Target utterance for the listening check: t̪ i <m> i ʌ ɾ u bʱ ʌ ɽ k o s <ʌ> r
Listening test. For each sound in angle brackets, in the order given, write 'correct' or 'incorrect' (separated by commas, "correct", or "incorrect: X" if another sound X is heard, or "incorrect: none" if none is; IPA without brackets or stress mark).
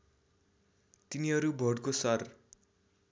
incorrect: n, correct